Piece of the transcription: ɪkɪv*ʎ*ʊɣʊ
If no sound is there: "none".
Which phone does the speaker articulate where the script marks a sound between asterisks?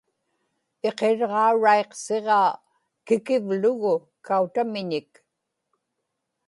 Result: l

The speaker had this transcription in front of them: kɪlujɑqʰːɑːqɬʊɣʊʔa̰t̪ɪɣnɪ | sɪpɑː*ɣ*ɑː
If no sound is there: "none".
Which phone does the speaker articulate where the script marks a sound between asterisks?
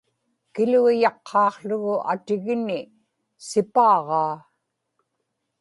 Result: ʁ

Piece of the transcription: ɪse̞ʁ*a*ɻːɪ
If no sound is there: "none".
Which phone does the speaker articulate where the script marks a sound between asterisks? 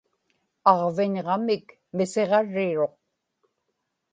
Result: ɑ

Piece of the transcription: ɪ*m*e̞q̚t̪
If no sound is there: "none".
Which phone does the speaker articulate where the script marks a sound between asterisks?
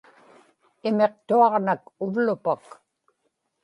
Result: m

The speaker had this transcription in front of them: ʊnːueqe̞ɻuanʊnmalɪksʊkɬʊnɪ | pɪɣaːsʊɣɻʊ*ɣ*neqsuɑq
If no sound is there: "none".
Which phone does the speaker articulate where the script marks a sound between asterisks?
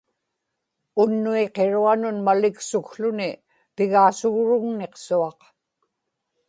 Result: ɣ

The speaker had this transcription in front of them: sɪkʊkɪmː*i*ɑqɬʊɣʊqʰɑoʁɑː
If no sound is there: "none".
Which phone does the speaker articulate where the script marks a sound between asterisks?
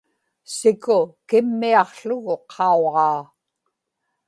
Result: i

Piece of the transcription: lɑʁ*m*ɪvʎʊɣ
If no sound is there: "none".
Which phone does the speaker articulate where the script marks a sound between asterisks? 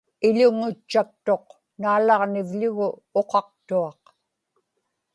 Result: n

